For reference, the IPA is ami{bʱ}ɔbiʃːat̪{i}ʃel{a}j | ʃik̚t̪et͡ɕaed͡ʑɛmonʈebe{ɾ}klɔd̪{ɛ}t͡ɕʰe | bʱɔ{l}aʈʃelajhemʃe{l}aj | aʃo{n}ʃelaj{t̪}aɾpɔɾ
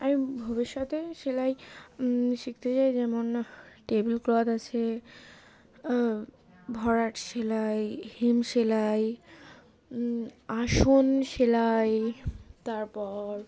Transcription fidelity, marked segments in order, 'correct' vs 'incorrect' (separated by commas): correct, incorrect, correct, incorrect, incorrect, incorrect, correct, correct, correct